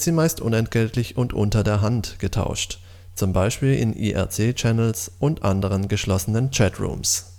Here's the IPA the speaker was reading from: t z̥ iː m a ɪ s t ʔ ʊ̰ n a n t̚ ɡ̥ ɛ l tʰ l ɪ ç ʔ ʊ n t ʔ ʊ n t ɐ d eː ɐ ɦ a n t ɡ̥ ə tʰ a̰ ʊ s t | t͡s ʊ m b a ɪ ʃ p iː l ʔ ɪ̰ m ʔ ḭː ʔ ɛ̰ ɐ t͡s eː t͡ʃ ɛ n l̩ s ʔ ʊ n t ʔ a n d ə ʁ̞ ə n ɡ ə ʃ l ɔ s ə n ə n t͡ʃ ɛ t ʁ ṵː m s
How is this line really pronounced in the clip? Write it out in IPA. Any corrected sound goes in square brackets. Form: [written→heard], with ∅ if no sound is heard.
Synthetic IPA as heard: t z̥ iː m a ɪ s t ʔ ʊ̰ n [a→ɛ] n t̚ ɡ̥ ɛ l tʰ l ɪ ç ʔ ʊ n t ʔ ʊ n t ɐ d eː ɐ ɦ a n t ɡ̥ ə tʰ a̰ ʊ [s→ʃ] t | t͡s ʊ m b a ɪ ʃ p iː l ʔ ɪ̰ [m→n] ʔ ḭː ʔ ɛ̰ ɐ t͡s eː t͡ʃ ɛ n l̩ s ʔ ʊ n t ʔ a n d ə ʁ̞ ə n ɡ ə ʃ l ɔ s ə n ə n t͡ʃ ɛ t ʁ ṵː m s